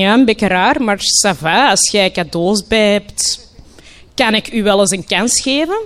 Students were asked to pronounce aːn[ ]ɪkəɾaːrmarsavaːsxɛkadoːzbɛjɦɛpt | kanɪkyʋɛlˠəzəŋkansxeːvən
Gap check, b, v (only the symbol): b